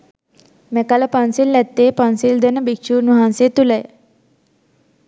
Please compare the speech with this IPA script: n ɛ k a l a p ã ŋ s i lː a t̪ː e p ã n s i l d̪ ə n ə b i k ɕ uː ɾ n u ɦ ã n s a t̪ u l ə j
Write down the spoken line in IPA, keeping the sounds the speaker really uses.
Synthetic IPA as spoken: m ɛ k a l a p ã n s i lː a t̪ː e p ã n s i l d̪ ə n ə b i k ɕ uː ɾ n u ɦ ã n s e t̪ u l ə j